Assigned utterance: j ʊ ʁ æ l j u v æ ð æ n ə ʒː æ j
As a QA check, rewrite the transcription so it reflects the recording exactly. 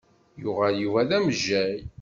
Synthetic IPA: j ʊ ʁ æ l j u v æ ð æ m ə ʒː æ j